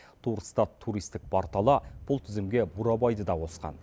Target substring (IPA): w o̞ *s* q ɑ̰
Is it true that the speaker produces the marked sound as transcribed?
yes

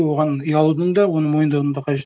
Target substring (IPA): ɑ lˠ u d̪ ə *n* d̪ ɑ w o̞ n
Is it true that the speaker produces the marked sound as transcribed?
no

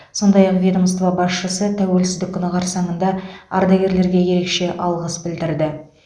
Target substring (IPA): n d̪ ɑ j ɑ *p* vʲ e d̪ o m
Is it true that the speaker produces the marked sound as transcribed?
no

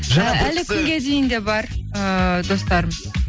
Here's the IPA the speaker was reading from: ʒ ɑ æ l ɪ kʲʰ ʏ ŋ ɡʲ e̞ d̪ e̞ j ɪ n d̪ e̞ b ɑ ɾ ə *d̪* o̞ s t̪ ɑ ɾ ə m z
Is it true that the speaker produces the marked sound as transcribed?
yes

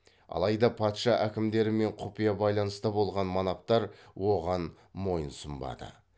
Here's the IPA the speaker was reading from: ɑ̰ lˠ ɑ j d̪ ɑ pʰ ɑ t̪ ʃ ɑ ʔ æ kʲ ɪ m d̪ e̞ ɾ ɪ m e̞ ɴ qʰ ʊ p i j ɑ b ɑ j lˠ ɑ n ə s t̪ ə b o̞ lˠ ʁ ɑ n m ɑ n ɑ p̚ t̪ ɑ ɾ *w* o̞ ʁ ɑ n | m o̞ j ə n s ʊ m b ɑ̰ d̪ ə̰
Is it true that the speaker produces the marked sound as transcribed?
yes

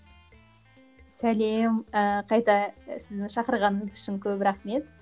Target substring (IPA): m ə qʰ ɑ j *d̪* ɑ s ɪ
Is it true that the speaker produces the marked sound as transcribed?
no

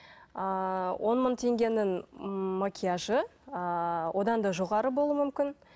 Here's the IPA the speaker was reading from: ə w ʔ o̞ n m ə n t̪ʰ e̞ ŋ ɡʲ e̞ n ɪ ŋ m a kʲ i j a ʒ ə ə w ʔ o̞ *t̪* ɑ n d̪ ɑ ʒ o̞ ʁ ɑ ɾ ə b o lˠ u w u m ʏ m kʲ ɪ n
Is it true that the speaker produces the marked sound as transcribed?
no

